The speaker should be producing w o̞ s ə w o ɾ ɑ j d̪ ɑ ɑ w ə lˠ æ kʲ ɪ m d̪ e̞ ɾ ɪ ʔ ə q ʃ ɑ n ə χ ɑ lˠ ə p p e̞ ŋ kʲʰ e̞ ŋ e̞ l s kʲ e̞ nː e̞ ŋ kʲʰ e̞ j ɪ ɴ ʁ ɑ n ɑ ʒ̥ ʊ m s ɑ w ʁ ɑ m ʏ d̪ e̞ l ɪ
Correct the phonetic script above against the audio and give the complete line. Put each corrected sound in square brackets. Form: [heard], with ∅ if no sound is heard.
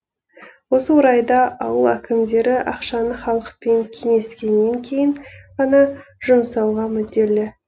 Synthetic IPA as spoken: w o̞ s ə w o ɾ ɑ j d̪ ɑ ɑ w ə lˠ æ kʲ ɪ m d̪ e̞ ɾ ɪ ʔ [ɑ] q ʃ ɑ n ə χ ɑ lˠ ə [q] p e̞ ŋ kʲʰ e̞ ŋ e̞ [∅] s kʲ e̞ nː e̞ ŋ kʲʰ e̞ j ɪ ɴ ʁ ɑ n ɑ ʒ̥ ʊ m s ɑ w ʁ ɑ m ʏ d̪ e̞ l ɪ